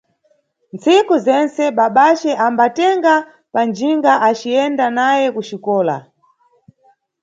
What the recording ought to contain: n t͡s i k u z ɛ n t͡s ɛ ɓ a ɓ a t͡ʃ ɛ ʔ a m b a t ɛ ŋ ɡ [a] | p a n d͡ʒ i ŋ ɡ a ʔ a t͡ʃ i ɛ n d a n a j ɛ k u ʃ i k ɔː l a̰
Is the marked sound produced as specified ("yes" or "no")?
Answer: yes